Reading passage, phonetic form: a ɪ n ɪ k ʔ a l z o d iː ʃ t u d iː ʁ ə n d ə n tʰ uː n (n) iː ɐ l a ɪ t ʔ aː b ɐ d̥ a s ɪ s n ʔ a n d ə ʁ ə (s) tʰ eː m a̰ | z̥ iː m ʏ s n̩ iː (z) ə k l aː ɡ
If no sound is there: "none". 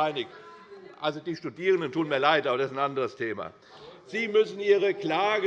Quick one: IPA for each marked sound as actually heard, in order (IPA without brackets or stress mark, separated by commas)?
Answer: m, s, ʁ